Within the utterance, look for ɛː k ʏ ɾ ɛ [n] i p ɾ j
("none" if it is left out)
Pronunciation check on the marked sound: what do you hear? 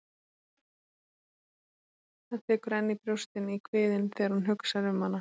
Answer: nː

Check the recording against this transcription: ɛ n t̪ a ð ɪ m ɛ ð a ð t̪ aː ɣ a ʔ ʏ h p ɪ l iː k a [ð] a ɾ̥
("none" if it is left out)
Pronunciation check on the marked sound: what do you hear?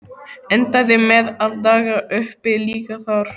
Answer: θ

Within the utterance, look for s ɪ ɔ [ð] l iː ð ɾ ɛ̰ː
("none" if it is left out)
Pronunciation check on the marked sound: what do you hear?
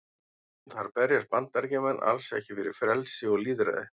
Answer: ɣ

